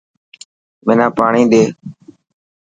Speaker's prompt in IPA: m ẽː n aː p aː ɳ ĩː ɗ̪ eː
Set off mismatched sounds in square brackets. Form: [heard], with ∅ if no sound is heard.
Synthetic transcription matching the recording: m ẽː n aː p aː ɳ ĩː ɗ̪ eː